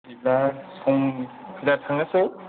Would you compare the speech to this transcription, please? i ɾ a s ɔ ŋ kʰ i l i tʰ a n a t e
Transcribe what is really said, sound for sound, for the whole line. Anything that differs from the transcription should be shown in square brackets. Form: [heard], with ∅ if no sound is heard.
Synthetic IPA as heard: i [l] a s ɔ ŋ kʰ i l [a] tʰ a [ŋ] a [s] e